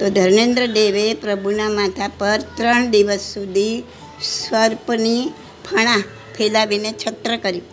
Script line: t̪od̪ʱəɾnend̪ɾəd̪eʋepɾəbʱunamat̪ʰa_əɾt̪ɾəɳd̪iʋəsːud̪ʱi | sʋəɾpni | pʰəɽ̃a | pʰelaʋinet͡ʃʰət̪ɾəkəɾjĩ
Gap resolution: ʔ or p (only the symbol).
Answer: p